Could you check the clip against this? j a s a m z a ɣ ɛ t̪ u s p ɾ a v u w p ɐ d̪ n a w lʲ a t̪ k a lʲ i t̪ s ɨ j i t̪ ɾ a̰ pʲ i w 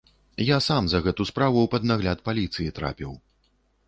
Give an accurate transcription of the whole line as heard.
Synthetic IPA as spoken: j a s a m z ɐ ɣ ɛ t̪ u s p ɾ a v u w p ɐ d̪ n a ɣ lʲ a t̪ p a lʲ i t̪ s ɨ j i t̪ ɾ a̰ pʲ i w